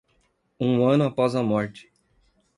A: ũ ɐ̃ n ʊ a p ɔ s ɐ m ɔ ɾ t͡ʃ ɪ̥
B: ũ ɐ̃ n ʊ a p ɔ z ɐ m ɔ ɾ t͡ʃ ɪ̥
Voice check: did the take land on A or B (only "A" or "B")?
B